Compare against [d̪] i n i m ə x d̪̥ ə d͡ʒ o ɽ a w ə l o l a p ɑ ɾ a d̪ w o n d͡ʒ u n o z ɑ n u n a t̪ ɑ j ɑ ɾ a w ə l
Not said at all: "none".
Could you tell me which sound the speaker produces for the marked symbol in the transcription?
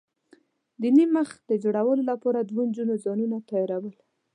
d̪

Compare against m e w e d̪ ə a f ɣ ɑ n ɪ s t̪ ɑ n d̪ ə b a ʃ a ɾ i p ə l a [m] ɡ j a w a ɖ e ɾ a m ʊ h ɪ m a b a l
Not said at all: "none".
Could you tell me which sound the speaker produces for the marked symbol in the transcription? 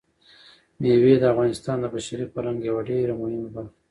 ŋ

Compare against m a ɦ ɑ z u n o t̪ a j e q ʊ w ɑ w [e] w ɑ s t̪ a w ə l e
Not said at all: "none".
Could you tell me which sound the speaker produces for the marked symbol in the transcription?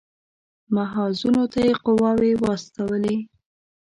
e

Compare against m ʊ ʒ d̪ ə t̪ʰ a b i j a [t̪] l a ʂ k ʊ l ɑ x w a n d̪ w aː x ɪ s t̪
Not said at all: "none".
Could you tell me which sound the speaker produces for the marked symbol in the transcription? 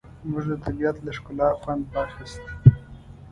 t̪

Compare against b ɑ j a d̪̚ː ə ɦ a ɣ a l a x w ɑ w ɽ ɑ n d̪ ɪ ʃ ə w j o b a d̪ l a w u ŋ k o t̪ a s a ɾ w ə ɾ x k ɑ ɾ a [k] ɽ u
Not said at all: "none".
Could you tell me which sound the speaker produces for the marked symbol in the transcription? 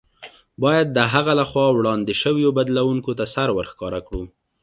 k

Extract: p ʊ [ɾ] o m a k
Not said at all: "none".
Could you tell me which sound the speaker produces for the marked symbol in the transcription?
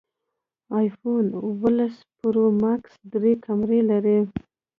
ɾ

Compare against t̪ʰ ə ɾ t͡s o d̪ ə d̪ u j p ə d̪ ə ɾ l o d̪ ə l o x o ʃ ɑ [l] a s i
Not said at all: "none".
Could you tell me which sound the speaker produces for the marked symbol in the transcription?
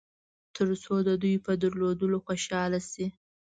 l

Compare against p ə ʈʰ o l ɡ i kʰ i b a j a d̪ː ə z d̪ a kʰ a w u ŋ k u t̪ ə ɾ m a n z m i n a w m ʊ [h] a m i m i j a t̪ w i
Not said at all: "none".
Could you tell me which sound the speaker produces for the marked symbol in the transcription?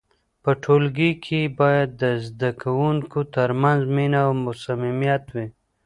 s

